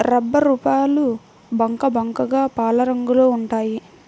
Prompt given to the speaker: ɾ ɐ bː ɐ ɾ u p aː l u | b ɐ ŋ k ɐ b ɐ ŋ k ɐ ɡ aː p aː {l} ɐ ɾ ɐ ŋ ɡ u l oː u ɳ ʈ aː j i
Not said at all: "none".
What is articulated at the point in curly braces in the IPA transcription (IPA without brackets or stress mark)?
l